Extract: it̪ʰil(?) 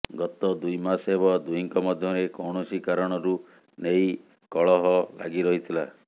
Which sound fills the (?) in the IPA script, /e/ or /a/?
a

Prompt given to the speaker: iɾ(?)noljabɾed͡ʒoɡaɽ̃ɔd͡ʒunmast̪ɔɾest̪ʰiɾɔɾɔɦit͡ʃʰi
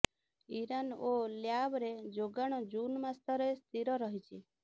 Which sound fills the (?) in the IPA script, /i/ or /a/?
a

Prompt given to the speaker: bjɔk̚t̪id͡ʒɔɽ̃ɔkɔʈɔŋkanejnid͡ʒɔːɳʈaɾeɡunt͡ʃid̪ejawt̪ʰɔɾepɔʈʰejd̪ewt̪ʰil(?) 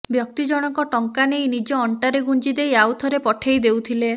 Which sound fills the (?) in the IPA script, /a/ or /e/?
e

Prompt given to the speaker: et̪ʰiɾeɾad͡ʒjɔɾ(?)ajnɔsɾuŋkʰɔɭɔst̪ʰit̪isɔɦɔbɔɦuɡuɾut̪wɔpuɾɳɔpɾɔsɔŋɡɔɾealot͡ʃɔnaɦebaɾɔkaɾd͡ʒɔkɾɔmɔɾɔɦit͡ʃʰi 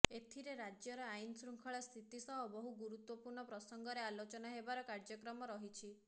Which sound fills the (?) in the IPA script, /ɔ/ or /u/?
ɔ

